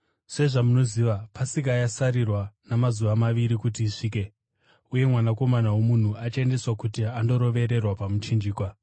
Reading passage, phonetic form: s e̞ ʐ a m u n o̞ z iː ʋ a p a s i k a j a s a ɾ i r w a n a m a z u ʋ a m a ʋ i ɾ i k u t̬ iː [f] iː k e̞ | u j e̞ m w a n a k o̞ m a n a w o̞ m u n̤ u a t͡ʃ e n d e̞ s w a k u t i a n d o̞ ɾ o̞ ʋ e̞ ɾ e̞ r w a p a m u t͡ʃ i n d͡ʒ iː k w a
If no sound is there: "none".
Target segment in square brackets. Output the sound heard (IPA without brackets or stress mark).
ʂ